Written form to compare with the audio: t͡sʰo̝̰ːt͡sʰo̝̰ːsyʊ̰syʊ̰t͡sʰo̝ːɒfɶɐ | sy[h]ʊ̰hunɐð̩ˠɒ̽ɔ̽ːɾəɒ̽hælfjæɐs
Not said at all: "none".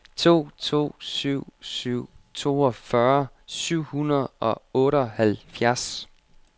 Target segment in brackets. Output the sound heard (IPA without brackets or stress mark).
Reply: none